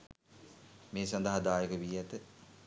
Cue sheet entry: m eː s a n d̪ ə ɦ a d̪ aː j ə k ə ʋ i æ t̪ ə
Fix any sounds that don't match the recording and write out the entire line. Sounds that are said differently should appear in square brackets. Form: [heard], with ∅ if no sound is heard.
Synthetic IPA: m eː s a n d̪ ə ɦ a d̪ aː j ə k ə ʋ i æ t̪ ə